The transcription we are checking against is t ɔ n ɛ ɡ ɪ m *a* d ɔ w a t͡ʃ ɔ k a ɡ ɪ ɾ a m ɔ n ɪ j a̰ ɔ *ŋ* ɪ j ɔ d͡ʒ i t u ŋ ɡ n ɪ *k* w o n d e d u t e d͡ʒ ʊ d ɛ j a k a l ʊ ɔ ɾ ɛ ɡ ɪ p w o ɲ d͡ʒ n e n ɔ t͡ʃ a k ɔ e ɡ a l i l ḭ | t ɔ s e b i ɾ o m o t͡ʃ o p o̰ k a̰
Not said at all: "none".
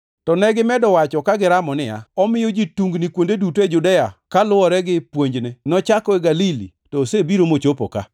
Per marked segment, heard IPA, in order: ɛ, m, k

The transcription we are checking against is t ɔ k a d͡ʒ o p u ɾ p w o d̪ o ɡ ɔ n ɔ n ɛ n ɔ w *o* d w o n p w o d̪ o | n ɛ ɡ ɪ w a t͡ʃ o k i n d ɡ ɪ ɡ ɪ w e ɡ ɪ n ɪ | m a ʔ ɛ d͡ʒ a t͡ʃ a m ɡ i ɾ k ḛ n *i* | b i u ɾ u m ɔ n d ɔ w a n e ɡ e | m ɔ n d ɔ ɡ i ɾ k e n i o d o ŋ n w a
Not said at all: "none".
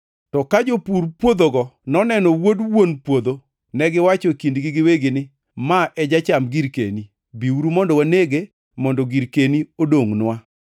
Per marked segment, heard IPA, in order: o, i

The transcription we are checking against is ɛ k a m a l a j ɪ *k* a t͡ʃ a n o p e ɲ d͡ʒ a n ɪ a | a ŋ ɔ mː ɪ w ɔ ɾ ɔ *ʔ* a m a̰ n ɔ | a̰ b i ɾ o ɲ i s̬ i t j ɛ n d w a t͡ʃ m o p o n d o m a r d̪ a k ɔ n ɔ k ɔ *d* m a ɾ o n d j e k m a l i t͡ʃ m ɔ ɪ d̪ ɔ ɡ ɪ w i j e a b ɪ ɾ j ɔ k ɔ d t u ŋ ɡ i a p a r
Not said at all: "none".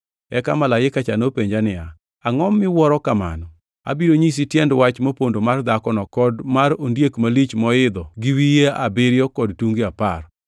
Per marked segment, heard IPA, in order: k, k, d

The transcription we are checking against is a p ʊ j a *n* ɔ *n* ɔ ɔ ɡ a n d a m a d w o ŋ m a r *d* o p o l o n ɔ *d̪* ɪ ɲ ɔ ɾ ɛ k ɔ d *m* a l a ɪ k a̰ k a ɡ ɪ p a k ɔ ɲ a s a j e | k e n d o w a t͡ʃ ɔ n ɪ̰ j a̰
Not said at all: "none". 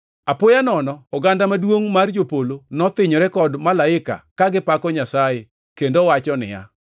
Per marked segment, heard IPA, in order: n, n, d͡ʒ, t̪, m

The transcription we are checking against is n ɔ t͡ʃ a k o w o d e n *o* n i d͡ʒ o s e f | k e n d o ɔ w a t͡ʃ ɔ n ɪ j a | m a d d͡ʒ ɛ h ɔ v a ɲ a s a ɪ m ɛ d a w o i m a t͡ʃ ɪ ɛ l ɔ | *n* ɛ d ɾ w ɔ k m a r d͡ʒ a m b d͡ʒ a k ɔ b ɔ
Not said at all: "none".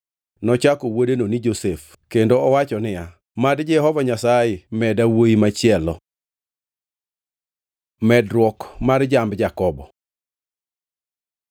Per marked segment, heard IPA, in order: o, m

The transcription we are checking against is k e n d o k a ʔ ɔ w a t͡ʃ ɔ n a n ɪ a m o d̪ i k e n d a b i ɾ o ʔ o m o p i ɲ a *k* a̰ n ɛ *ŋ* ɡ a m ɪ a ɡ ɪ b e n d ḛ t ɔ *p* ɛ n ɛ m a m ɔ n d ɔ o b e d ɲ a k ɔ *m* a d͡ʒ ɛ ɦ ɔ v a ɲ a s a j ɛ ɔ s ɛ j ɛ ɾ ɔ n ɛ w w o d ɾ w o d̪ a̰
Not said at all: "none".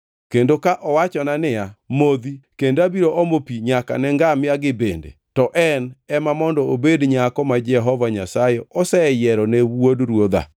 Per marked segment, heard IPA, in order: k, ŋ, ʔ, m

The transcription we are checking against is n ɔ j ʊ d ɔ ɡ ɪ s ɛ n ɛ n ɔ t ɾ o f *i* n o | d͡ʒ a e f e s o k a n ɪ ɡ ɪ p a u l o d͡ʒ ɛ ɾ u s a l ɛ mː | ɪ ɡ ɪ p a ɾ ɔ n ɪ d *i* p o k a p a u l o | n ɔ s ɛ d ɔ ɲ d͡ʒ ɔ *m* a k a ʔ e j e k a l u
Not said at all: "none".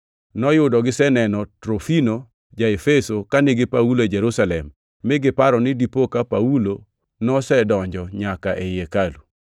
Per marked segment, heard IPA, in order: i, i, ɲ

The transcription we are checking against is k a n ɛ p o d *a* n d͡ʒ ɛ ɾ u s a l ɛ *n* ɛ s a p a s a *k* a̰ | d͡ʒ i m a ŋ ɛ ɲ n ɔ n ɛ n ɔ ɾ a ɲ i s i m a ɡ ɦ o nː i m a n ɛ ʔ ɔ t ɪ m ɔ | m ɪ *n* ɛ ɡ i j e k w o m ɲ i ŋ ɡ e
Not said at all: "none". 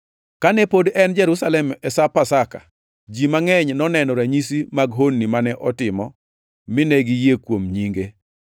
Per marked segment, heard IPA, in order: ɛ, m, k, n

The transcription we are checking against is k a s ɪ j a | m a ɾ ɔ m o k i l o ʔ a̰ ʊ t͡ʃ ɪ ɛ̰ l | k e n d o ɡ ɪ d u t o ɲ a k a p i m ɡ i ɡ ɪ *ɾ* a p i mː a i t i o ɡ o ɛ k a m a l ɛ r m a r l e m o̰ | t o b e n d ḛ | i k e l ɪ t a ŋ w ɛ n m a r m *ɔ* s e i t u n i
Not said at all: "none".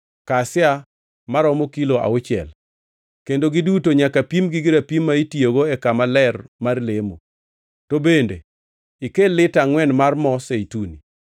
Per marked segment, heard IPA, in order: ɾ, ɔ

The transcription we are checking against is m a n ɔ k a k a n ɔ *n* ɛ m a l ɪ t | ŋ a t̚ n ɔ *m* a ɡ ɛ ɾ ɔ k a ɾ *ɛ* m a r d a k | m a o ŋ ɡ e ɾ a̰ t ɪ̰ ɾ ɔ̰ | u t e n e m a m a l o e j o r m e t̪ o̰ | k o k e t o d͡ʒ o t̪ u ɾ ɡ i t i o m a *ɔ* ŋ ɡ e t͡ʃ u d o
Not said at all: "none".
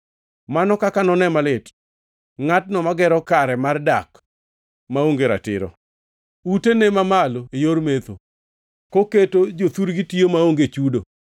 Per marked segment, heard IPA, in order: n, m, ɛ, o

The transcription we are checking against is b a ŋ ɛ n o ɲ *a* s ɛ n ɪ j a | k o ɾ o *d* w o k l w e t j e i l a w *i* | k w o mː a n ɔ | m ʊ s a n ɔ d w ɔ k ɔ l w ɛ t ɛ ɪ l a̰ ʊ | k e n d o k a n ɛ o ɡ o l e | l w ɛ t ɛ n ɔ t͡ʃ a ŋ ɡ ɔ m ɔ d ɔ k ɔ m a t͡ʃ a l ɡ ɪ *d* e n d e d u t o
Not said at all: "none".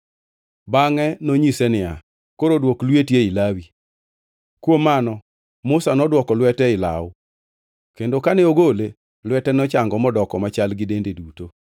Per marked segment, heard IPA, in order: i, d, i, d

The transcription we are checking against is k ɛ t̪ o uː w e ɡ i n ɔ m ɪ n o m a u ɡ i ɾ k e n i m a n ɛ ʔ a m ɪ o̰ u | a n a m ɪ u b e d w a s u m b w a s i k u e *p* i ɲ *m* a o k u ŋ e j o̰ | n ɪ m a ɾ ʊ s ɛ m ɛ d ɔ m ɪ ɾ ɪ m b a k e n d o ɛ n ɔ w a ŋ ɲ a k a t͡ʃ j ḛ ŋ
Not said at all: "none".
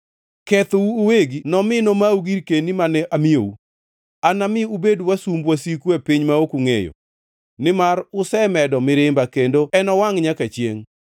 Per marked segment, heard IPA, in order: p, m

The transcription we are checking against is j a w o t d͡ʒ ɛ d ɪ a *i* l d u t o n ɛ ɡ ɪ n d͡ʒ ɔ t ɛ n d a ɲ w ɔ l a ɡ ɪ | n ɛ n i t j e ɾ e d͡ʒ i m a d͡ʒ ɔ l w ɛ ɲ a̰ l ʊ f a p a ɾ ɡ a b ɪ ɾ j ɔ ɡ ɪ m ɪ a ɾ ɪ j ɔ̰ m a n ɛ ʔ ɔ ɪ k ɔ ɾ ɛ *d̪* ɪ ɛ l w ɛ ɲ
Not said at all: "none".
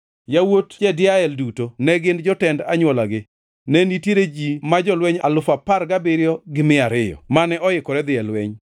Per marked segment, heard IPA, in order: ɛ, d̪

